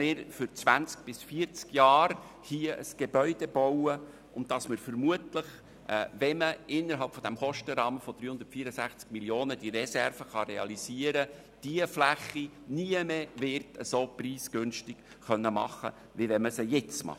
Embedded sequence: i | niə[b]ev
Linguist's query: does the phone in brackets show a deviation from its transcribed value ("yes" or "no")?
yes